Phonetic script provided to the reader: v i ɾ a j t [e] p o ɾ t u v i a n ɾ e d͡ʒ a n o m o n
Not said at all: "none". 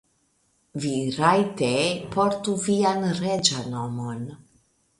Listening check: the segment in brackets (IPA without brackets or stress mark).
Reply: e